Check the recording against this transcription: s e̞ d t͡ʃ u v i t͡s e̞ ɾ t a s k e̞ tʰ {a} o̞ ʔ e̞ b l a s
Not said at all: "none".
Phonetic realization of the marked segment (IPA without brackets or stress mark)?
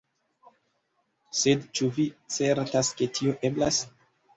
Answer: i